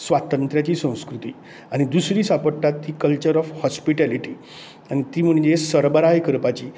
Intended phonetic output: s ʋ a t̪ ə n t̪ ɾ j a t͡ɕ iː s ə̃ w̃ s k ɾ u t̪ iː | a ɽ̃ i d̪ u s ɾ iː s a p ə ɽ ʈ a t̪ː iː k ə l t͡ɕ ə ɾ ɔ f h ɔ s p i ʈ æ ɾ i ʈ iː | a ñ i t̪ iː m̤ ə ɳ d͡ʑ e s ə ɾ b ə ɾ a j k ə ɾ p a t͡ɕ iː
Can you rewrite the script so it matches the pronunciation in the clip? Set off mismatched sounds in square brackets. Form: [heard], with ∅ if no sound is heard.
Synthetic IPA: s ʋ a t̪ ə n t̪ ɾ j a t͡ɕ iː s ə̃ w̃ s k ɾ u t̪ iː | a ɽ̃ i d̪ u s ɾ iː s a p ə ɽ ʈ a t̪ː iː k ə l t͡ɕ ə ɾ ɔ f h ɔ s p i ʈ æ [l] i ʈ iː | a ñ i t̪ iː m̤ ə ɳ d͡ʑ e s ə ɾ b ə ɾ a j k ə ɾ p a t͡ɕ iː